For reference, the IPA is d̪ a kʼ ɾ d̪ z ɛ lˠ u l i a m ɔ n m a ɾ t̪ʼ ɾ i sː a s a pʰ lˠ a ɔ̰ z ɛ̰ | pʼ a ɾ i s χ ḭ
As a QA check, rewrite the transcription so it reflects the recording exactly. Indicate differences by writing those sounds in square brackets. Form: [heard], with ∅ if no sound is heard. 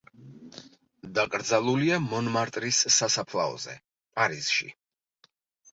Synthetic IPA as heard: d̪ a kʼ ɾ d̪ z [a] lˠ u l i a m ɔ n m a ɾ t̪ʼ ɾ i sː a s a pʰ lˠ a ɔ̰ z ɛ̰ | pʼ a ɾ i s [ʃ] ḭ

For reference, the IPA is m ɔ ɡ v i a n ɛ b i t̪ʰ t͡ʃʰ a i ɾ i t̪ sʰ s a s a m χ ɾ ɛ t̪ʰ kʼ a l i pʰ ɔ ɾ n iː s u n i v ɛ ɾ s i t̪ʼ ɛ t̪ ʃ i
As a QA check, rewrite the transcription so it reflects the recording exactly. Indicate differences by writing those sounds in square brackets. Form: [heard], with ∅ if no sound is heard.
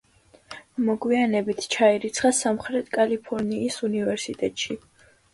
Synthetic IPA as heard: m ɔ ɡ [w] i a n ɛ b i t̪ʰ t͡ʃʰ a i ɾ i t̪ sʰ [χ] a s a m χ ɾ ɛ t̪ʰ kʼ a l i pʰ ɔ ɾ n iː s u n i v ɛ ɾ s i t̪ʼ ɛ [t̪ʼ] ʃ i

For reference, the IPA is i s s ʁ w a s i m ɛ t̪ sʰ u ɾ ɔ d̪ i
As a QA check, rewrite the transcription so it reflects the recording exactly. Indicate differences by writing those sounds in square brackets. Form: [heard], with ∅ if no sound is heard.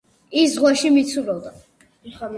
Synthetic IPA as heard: i s [z] ʁ w a [ʃ] i m [i] t̪ sʰ u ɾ ɔ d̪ [a]

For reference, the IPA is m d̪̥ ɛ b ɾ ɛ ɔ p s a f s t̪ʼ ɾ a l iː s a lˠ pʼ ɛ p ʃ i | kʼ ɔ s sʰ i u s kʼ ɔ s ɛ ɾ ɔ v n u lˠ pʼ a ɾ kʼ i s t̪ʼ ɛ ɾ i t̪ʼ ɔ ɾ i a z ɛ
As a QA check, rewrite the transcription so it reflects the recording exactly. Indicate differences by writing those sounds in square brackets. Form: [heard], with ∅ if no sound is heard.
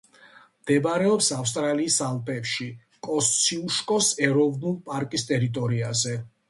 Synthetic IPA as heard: m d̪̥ ɛ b ɾ ɛ ɔ p s a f s t̪ʼ ɾ a l iː s a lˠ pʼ ɛ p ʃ i | kʼ ɔ s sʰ i u [ʃ] kʼ ɔ s ɛ ɾ ɔ v n u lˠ pʼ a ɾ kʼ i s t̪ʼ ɛ ɾ i t̪ʼ ɔ ɾ i a z ɛ

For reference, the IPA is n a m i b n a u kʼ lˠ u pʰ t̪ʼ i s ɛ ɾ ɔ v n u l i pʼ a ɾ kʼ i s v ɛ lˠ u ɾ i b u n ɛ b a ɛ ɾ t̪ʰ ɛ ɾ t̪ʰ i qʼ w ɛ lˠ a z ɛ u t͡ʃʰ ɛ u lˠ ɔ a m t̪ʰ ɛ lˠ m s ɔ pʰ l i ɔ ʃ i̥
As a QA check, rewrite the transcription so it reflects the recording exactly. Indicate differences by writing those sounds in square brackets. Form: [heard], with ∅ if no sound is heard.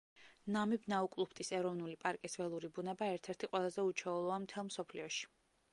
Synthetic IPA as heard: n a m i b n a u kʼ lˠ u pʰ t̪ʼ i s ɛ ɾ ɔ v n u l i pʼ a ɾ kʼ i s v ɛ lˠ u ɾ i b u n ɛ b a ɛ ɾ t̪ʰ ɛ ɾ t̪ʰ i qʼ w ɛ lˠ a z ɛ u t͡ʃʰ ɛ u lˠ ɔ a m t̪ʰ ɛ lˠ m s ɔ pʰ l i ɔ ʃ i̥

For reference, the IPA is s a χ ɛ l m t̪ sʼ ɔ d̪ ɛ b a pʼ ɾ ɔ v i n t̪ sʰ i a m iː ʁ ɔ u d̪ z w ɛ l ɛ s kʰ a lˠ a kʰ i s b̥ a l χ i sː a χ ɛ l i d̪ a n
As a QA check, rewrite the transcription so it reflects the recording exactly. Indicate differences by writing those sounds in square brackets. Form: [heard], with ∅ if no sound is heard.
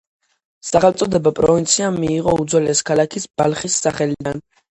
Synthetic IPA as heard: s a χ ɛ l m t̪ sʼ ɔ d̪ ɛ b a pʼ ɾ ɔ v i n t̪ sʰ i a m iː ʁ ɔ u d̪ z w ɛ l ɛ s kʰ a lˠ a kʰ i s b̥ a l χ i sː a χ ɛ l i d̪ a n

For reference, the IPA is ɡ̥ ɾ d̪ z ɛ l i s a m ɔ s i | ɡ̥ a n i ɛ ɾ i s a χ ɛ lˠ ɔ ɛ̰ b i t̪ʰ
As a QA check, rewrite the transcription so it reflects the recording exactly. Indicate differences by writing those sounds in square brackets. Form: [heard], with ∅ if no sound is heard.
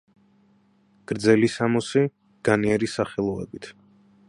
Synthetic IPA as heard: ɡ̥ ɾ d̪ z ɛ l i s a m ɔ s i | ɡ̥ a n i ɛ ɾ i s a χ ɛ lˠ ɔ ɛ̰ b i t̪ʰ

